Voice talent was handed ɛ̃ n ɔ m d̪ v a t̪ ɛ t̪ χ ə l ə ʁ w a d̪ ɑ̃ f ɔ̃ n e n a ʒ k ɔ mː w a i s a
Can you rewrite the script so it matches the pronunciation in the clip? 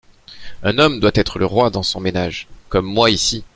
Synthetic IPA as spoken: ɛ̃ n ɔ m d̪ w a t̪ ɛ t̪ χ ə l ə ʁ w a d̪ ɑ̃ s ɔ̃ m e n a ʒ k ɔ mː w a i s i